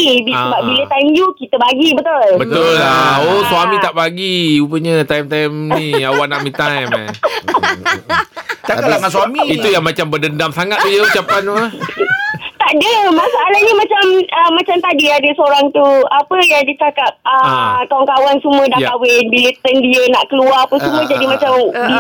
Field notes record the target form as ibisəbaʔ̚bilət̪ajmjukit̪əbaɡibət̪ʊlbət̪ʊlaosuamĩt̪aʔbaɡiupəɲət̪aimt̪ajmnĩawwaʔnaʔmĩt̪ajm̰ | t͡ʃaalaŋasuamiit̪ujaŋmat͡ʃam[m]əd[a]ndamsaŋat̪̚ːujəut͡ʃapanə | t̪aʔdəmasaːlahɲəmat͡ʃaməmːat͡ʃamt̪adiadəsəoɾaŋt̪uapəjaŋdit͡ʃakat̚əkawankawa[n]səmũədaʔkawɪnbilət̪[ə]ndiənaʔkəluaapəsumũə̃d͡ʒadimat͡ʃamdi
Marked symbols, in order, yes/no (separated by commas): no, no, yes, yes